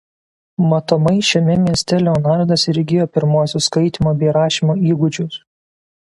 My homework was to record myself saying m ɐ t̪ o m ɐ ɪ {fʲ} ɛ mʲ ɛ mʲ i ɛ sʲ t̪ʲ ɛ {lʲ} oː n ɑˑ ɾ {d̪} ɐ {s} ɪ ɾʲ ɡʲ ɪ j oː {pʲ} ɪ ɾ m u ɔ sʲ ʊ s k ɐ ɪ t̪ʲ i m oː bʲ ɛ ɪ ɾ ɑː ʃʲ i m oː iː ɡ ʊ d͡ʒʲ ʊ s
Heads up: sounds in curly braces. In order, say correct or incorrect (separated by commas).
incorrect, correct, correct, correct, correct